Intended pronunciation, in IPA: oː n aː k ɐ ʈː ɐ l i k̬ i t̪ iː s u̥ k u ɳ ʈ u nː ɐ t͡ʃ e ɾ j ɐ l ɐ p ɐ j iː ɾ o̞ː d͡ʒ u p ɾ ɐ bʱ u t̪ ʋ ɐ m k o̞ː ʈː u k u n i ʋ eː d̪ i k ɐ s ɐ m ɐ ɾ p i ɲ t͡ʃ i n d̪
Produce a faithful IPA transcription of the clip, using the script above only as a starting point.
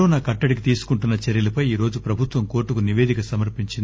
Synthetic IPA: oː n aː k ɐ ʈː ɐ ɽ i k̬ i t̪ iː s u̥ k u ɳ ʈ u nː ɐ t͡ʃ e ɾ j ɐ l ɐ p ɐ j iː ɾ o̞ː d͡ʒ u p ɾ ɐ bʱ u t̪ ʋ ɐ m k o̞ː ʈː u k u n i ʋ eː d̪ i k ɐ s ɐ m ɐ ɾ p i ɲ t͡ʃ i n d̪